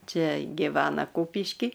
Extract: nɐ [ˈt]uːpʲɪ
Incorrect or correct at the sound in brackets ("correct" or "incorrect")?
incorrect